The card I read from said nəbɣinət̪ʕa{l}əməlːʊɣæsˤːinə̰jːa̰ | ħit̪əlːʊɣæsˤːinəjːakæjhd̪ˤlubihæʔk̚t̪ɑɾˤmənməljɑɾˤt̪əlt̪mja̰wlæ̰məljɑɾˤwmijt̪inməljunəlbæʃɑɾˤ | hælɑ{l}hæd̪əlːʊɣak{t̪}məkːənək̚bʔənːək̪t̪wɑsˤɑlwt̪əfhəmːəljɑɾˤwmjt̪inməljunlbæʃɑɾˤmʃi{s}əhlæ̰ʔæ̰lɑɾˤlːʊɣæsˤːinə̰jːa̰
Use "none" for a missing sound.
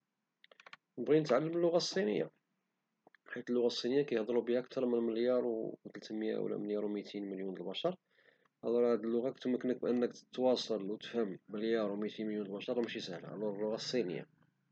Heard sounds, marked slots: lː, ɾ, t̪, s

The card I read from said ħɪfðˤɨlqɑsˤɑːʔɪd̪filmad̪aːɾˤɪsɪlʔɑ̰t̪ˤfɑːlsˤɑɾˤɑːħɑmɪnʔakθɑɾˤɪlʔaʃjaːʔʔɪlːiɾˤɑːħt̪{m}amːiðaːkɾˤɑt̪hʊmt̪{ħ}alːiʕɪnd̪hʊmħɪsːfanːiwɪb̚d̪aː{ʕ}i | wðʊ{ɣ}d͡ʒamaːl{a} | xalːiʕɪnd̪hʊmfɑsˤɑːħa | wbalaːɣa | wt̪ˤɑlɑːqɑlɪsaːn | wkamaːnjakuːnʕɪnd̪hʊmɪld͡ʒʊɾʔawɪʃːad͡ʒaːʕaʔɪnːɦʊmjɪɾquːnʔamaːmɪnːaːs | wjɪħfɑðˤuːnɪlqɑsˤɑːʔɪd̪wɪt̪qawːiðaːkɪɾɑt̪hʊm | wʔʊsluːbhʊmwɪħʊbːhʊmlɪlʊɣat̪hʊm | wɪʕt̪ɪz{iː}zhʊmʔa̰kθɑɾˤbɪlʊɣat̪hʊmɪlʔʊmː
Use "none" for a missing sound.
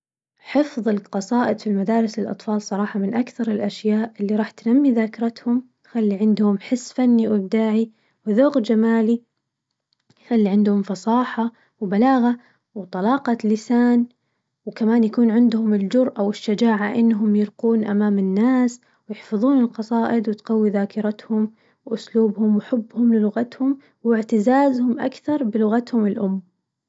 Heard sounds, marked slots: n, x, ʕ, ɣ, i, aː

